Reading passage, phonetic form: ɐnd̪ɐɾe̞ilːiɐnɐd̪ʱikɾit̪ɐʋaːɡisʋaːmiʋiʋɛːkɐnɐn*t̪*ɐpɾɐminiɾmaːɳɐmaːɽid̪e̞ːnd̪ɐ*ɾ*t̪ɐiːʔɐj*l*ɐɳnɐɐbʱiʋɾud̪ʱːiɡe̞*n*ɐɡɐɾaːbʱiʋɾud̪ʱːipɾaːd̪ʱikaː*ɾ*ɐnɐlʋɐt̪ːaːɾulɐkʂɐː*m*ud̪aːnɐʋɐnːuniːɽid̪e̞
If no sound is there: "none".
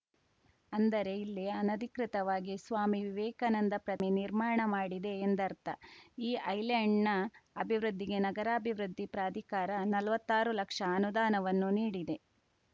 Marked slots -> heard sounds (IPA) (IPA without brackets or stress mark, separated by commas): d̪, ɾ, l, n, ɾ, n